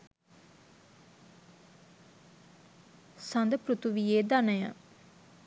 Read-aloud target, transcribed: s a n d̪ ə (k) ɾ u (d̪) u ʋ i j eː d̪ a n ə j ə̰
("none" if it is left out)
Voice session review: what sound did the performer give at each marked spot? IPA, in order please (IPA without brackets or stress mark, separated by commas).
p, t̪